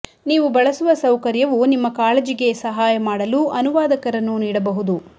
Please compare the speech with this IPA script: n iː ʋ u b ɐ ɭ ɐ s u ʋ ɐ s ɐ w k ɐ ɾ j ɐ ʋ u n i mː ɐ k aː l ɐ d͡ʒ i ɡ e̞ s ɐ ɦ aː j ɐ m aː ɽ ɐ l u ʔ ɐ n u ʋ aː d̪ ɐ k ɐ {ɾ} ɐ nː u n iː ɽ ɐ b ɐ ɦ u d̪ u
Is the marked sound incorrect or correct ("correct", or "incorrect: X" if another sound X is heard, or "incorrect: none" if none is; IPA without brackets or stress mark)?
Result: correct